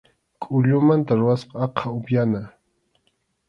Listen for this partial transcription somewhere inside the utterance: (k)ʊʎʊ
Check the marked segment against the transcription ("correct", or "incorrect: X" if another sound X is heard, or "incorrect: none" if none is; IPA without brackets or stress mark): incorrect: kʼ